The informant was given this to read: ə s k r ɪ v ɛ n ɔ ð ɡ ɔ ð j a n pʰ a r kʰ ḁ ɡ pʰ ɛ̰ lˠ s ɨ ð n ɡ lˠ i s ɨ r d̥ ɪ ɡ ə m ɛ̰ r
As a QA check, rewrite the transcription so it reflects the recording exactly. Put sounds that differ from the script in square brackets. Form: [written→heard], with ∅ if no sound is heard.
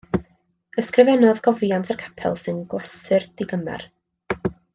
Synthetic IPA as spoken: ə s k r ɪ v ɛ n ɔ ð ɡ ɔ [ð→v] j a n [pʰ→tʰ] a r kʰ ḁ [ɡ→∅] pʰ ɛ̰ lˠ s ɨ [ð→∅] n ɡ lˠ [i→a] s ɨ r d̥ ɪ ɡ ə m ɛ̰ r